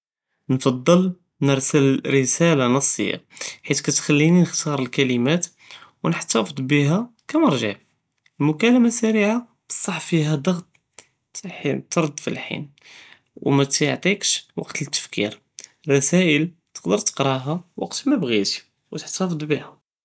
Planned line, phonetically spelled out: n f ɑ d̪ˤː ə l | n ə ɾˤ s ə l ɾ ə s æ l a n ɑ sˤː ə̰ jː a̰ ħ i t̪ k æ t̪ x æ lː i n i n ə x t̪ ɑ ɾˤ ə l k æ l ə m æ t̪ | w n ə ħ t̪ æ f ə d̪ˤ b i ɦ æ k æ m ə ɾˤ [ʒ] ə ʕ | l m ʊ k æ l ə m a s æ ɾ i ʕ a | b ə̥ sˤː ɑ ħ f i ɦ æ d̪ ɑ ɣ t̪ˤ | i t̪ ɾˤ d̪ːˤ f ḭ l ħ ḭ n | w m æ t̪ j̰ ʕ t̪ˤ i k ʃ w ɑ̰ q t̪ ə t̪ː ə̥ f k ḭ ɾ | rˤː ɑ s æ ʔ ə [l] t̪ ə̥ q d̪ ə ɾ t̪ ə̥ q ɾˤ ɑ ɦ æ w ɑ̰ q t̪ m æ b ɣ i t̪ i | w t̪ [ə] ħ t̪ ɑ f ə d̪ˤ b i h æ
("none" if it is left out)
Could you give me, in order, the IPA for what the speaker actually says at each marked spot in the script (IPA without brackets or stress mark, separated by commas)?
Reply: ʒ, l, ə